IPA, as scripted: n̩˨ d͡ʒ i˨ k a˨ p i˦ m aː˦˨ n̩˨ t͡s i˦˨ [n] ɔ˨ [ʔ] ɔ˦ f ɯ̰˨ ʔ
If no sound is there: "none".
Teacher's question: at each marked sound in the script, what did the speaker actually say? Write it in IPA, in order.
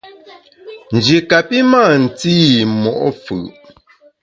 m, ʔ

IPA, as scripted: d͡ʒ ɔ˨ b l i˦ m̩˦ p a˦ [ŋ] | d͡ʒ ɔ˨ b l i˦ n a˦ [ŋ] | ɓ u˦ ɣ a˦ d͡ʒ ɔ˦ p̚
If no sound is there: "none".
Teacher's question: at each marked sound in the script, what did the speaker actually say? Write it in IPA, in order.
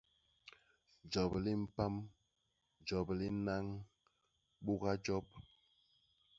m, ŋ

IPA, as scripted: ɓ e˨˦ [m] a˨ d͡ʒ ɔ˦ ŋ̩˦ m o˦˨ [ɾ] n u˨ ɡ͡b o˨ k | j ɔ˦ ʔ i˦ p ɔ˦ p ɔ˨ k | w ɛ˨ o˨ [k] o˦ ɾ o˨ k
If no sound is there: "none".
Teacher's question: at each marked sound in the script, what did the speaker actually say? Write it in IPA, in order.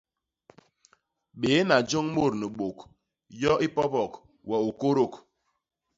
n, ɾ, k

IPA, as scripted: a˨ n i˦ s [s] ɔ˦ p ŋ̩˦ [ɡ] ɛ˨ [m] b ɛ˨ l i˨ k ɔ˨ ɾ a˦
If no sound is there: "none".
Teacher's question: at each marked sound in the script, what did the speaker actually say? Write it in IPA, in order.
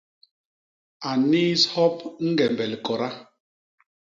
h, ɡ, m

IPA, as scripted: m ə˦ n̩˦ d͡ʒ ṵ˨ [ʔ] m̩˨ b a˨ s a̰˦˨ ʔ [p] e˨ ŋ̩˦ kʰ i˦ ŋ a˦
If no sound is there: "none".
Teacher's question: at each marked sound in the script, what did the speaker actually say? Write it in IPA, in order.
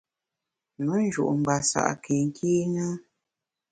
ʔ, k

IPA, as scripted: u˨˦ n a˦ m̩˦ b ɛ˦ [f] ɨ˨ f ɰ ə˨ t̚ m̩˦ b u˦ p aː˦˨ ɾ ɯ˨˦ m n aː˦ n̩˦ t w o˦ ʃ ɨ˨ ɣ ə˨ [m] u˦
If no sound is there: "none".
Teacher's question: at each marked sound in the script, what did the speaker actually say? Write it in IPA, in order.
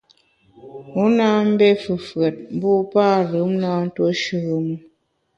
f, m

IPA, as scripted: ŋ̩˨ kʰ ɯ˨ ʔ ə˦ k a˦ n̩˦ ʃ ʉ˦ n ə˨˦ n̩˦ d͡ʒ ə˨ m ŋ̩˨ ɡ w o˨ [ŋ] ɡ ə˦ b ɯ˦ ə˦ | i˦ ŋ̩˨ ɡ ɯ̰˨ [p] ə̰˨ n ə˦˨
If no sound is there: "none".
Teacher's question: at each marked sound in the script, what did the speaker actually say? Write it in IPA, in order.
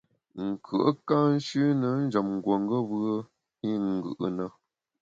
ŋ, ʔ

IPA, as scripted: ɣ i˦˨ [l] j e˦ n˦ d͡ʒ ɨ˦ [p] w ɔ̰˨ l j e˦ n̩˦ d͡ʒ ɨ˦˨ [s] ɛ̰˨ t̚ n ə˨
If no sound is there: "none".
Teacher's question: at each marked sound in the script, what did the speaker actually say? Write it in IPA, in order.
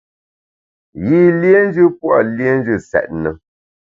l, p, s

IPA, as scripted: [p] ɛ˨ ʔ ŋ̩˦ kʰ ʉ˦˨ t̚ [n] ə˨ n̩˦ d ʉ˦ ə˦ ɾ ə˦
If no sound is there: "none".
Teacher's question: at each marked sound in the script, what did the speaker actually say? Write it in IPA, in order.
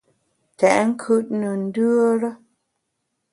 t, n

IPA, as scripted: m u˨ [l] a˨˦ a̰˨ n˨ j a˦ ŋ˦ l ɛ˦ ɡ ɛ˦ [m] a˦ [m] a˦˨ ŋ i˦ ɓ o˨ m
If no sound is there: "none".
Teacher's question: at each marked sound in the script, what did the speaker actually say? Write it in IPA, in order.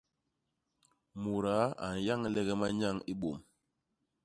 ɾ, m, ɲ

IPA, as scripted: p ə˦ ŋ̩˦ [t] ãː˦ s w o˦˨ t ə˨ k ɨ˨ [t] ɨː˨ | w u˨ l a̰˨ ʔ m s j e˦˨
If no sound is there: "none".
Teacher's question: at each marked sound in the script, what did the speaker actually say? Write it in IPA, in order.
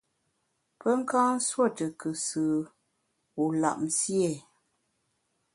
k, s

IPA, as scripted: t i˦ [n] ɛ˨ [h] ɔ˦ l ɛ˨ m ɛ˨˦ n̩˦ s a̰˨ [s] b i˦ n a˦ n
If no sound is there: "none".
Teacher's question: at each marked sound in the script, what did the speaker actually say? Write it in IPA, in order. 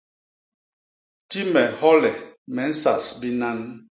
m, h, s

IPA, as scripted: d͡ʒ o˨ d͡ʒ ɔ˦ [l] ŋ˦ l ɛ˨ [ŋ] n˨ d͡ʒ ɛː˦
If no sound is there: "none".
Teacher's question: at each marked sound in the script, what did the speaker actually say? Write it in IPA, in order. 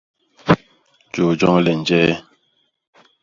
none, none

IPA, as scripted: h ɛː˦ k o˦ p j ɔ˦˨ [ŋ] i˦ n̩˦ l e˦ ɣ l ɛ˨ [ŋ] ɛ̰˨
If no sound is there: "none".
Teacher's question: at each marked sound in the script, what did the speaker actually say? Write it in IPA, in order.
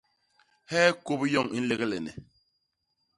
ŋ, n

